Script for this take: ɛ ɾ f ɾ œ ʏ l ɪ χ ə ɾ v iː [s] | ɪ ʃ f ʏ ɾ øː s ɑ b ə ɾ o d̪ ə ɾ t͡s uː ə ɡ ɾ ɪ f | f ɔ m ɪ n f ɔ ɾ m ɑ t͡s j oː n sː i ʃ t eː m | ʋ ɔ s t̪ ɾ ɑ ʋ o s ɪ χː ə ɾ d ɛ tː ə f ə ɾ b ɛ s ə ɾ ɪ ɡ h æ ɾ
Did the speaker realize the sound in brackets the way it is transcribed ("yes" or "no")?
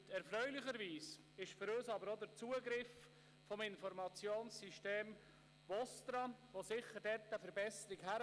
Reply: yes